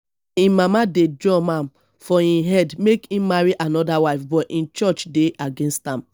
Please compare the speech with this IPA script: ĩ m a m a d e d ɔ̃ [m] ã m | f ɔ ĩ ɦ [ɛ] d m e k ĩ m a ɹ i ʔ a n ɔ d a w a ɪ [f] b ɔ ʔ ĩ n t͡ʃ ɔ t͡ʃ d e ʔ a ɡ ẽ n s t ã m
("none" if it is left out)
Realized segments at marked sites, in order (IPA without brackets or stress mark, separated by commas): m, ɛ, f